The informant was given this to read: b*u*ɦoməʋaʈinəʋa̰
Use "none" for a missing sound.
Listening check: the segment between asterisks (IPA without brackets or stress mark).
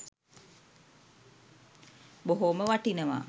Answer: o